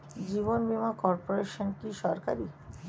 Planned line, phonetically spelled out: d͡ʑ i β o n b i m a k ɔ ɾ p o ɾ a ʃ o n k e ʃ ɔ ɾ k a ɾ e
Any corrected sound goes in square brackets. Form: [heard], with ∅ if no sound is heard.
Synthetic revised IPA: d͡ʑ i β o n b i m a k ɔ ɾ p o ɾ [e] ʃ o n k [i] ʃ ɔ ɾ k a ɾ [i]